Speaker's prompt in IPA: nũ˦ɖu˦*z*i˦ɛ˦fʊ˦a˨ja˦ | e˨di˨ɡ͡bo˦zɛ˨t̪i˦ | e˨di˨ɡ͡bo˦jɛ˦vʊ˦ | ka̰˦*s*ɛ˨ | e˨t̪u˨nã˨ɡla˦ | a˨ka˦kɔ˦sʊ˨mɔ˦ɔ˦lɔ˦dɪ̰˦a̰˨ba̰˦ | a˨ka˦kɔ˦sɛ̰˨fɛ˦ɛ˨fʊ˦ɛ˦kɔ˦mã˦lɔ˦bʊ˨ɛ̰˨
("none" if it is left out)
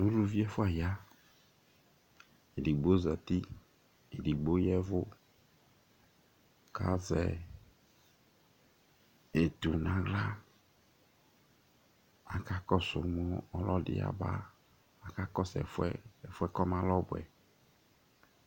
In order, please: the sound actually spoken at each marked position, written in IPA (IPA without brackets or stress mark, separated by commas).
v, z